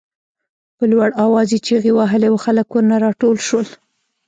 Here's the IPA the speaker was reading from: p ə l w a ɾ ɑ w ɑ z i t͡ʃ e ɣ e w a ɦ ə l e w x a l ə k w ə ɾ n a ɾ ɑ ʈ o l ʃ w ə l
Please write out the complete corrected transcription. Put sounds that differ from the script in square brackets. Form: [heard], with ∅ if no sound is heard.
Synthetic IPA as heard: p ə l w a [ɽ] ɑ w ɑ z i t͡ʃ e ɣ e w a ɦ ə l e w x a l ə k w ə ɾ n a ɾ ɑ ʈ o l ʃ w ə l